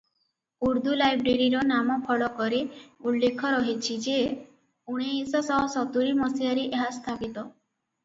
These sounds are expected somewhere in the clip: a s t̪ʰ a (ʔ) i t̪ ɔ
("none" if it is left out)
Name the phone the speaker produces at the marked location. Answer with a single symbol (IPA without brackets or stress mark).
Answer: p